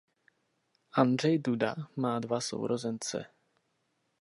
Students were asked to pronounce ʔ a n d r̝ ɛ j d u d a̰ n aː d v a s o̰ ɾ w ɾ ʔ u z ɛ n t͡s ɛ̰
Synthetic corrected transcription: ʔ a n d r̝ ɛ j d u d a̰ m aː d v a s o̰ w ɾ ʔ o z ɛ n t͡s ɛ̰